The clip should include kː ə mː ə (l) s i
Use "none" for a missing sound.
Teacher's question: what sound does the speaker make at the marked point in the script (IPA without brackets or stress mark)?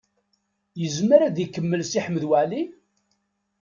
l